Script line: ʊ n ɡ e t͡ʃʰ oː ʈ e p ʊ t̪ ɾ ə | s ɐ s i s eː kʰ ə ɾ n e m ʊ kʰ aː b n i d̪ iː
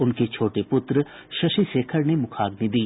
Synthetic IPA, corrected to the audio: ʊ n k e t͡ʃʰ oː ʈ e p ʊ t̪ ɾ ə | ʃ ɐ ʃ i s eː kʰ ə ɾ n e m ʊ kʰ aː ɡ n i d̪ iː